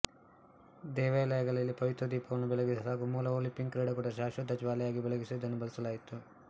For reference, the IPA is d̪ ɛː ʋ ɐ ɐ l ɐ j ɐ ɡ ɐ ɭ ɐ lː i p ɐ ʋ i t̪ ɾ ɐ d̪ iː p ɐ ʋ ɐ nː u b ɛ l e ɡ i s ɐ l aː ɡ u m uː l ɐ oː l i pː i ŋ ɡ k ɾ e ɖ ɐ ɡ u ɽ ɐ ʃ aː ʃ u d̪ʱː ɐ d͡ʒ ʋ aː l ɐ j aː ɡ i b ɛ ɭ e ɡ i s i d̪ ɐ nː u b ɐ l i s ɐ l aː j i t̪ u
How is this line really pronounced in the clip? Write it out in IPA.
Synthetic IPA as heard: d̪ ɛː ʋ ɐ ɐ l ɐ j ɐ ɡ ɐ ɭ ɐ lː i p ɐ ʋ i t̪ ɾ ɐ d̪ iː p ɐ ʋ ɐ nː u b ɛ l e ɡ i s ɐ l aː ɡ u m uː l ɐ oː l i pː i ŋ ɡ k ɾ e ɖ ɐ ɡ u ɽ ɐ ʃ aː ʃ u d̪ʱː ɐ d͡ʒ ʋ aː l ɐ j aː ɡ i b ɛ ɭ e ɡ i s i d̪ ɐ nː u b ɐ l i s ɐ l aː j i t̪ u